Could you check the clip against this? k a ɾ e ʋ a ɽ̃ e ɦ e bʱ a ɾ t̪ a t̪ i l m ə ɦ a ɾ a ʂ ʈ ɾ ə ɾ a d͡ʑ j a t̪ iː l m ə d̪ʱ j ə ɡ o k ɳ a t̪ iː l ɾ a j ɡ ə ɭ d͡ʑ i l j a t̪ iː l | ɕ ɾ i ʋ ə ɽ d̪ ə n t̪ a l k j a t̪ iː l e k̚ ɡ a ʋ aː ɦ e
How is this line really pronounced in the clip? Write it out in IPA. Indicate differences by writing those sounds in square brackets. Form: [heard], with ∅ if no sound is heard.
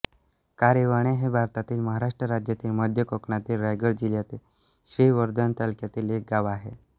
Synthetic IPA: k a ɾ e ʋ a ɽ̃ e ɦ e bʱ a ɾ t̪ a t̪ [iː] l m ə ɦ a ɾ a ʂ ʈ ɾ ə ɾ a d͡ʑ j a t̪ iː l m ə d̪ʱ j ə [k] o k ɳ a t̪ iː l ɾ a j ɡ ə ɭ d͡ʑ i l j a t̪ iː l | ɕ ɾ i ʋ ə [ɾ] d̪ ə n t̪ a l k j a t̪ iː l e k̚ ɡ a ʋ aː ɦ e

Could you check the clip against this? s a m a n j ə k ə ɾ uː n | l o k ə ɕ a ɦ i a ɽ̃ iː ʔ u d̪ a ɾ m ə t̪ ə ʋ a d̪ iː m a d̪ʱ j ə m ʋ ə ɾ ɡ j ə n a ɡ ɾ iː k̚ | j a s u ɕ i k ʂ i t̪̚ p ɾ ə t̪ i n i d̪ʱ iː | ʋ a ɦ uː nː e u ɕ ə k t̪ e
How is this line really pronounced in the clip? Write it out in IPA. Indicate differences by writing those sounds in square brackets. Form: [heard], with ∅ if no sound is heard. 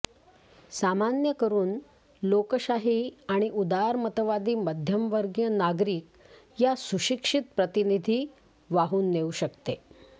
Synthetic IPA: s a m a n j ə k ə ɾ uː n | l o k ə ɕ a ɦ i a ɽ̃ [i] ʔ u d̪ a ɾ m ə t̪ ə ʋ a d̪ iː m [ə] d̪ʱ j ə m ʋ ə ɾ ɡ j ə n a ɡ ɾ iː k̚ | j a s u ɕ i k ʂ i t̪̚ p ɾ ə t̪ i n i d̪ʱ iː | ʋ a ɦ uː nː e u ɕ ə k t̪ e

